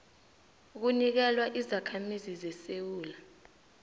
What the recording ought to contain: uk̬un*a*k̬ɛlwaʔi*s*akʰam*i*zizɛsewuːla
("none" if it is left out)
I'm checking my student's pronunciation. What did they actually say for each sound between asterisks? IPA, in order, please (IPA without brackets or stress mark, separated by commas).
i, z, i